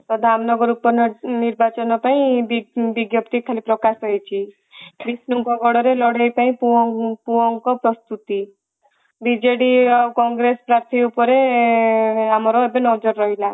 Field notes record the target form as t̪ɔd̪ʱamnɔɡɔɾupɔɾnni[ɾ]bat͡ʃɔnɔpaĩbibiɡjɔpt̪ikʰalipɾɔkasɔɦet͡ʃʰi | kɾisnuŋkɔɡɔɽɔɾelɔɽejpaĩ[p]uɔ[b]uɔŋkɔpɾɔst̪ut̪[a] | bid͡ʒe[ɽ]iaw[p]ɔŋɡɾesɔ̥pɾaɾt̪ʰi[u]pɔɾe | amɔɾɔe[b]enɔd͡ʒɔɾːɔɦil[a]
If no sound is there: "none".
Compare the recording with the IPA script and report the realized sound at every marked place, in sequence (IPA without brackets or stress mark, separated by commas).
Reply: ɾ, p, p, i, ɽ, k, u, b, a